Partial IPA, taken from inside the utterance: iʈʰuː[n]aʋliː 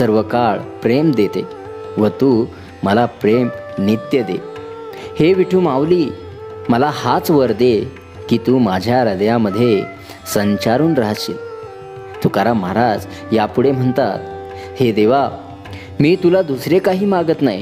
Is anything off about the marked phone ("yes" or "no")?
yes